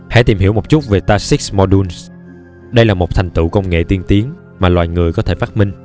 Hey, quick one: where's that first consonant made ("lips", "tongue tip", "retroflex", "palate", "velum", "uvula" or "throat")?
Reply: throat